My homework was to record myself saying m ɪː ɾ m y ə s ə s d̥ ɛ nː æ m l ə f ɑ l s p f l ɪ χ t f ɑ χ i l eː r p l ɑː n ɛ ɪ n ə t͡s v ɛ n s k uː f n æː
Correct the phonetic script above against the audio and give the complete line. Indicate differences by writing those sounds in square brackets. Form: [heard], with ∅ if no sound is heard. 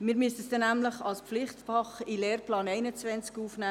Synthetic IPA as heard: m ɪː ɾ m y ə s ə s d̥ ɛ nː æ m l ə [χ] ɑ l s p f l ɪ χ t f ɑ χ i l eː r p l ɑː n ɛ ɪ n ə t͡s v ɛ n [t͡s] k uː f n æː

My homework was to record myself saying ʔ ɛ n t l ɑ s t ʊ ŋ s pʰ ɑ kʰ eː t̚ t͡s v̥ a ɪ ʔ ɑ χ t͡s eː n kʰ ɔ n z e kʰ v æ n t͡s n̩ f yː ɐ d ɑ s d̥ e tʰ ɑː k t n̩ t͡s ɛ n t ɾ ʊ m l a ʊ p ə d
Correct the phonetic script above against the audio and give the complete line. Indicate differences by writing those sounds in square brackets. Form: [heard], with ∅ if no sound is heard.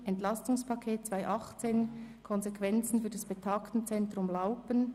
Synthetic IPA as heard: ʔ ɛ n t l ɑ s t ʊ ŋ s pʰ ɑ kʰ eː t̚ t͡s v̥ a ɪ ʔ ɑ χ t͡s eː n kʰ ɔ n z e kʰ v [ɛ] n t͡s n̩ f yː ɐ d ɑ s [b̥] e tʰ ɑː k t n̩ t͡s ɛ n t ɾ ʊ m l a ʊ p ə [n]

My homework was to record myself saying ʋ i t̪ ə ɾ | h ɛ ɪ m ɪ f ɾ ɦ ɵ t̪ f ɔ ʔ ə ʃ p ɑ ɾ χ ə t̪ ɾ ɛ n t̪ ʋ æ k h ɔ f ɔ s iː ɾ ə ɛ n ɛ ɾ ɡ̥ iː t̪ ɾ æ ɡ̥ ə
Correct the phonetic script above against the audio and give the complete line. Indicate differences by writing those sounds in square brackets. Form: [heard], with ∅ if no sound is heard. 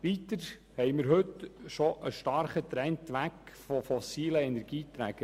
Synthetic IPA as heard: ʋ i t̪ ə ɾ | h ɛ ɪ m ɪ [∅] ɾ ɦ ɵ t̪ [ʃ] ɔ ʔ ə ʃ [t] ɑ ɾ χ ə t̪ ɾ ɛ n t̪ ʋ æ k [f] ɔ f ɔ s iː [l] ə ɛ n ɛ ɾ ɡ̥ iː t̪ ɾ æ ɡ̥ ə

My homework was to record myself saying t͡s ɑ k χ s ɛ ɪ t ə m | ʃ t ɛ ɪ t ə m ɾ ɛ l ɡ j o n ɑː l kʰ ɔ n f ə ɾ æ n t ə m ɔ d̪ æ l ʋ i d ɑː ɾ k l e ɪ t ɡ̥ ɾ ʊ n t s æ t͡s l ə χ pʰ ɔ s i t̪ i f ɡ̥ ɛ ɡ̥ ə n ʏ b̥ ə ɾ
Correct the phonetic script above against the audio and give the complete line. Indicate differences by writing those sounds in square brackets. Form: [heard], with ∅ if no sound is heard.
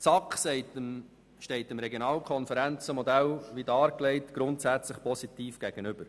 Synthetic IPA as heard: t͡s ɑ k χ s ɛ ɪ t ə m | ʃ t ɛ ɪ t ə m ɾ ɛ [∅] ɡ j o n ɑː l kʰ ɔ n f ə ɾ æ n [t͡s] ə m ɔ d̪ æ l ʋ i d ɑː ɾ k l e ɪ t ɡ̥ ɾ ʊ n t s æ t͡s l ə χ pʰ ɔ s i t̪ [iː] f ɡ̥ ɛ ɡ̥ ə n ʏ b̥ ə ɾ

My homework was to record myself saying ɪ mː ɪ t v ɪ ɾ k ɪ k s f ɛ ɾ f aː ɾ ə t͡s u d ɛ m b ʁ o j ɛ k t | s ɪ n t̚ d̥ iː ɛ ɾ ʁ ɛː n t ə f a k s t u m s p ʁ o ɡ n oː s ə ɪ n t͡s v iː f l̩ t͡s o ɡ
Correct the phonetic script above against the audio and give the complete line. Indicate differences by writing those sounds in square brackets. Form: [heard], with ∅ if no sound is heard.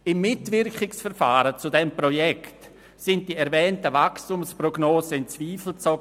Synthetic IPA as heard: ɪ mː ɪ t v ɪ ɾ k ɪ k s f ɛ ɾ f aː ɾ ə t͡s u d ɛ m [p] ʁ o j ɛ k t | s ɪ n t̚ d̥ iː ɛ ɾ [v] ɛː n t ə [v] a k s t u m s p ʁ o ɡ n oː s ə ɪ n t͡s v iː f l̩ t͡s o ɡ

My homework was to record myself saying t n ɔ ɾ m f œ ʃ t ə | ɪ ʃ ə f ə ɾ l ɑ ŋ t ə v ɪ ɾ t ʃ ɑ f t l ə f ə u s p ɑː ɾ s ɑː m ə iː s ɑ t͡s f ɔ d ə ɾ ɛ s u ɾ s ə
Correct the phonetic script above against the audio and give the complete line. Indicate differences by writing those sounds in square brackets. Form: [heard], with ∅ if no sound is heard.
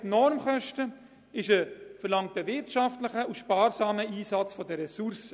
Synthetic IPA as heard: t n ɔ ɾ m [χ] œ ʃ t ə | ɪ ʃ ə f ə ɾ l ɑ ŋ t ə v ɪ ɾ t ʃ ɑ f t l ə [χ] ə u [ʃ] p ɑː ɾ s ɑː m ə iː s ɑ t͡s f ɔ d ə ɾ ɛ s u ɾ s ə

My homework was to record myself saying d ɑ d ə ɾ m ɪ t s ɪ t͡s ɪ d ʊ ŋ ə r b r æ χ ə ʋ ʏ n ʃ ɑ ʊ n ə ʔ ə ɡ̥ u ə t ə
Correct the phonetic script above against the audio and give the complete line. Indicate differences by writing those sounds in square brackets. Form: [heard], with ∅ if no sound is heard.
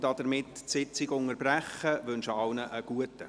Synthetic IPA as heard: d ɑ d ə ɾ m ɪ t s ɪ t͡s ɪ [ɡ] ʊ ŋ ə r b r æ χ ə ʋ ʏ n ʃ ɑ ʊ n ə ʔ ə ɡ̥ u ə t ə

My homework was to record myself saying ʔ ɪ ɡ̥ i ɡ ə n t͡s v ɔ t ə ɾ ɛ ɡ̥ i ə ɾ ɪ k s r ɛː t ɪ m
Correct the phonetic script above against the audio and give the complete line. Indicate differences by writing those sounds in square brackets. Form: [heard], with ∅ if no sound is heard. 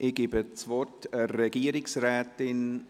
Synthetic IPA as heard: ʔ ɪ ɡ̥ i [b] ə [∅] t͡s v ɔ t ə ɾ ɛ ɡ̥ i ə ɾ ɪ k s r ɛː t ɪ [n]

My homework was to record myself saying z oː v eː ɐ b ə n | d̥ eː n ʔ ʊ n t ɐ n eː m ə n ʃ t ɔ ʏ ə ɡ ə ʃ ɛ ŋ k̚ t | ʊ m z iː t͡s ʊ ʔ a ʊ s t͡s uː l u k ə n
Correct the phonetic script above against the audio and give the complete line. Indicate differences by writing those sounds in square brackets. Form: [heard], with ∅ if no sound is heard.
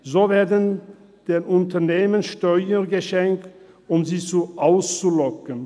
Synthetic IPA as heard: z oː v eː ɐ [d] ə n | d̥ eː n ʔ ʊ n t ɐ n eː m ə n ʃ t ɔ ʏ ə ɡ ə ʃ ɛ ŋ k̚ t | ʊ m z iː t͡s [u] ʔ a ʊ s t͡s [u] l [ɔ] k ə n

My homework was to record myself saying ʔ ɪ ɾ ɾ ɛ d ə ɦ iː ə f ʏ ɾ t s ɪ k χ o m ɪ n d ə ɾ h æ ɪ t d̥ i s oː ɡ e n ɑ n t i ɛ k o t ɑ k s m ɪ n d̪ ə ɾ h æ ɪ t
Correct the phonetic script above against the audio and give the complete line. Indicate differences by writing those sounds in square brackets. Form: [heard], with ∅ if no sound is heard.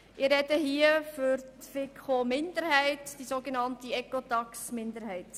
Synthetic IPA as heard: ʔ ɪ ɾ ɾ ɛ d ə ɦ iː ə f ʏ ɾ t [f] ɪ k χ o m ɪ n d ə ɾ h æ ɪ t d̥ i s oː ɡ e n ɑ n t i ɛ k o t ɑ k s m ɪ n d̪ ə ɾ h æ ɪ t

